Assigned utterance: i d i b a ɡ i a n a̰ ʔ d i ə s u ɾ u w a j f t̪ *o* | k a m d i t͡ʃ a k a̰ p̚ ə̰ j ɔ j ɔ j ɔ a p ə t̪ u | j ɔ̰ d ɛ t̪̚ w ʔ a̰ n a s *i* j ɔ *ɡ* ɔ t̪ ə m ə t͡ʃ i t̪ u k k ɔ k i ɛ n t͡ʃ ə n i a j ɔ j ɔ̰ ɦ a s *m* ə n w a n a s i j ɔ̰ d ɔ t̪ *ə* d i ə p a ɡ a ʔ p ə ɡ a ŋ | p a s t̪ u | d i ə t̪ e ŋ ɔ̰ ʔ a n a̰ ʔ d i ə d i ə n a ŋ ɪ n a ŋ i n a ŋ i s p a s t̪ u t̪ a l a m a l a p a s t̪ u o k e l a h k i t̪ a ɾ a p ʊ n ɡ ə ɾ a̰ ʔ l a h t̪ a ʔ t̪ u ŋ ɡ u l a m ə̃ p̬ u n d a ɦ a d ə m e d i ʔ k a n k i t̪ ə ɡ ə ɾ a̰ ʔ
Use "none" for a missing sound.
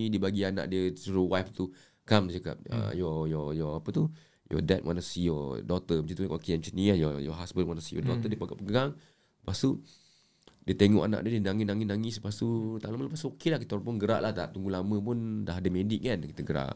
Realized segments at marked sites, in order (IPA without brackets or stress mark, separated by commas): u, i, d, b, ə